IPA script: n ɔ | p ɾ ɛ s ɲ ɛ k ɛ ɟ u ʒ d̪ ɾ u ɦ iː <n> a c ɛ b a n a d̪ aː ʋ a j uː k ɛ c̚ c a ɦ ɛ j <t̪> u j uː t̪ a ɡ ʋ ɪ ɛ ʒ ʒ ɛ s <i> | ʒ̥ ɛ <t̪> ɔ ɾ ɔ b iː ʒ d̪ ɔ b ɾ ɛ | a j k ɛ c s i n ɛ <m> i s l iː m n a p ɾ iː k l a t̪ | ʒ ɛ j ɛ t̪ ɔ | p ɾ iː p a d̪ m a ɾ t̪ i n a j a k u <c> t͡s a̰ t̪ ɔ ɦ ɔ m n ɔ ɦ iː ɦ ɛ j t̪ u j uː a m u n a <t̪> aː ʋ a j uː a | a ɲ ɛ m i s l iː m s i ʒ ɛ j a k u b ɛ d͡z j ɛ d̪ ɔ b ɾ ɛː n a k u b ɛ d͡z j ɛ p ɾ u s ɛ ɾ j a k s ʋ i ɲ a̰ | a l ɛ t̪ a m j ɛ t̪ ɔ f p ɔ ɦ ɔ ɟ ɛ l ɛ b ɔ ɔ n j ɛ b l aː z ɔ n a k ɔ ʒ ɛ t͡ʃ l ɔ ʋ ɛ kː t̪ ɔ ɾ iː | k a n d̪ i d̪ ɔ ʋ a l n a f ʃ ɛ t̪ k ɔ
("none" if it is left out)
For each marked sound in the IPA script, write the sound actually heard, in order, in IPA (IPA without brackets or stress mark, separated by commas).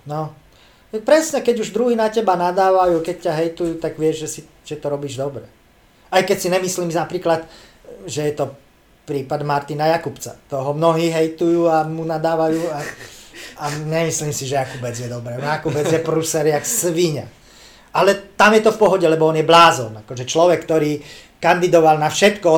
n, t̪, i, t̪, m, p, d̪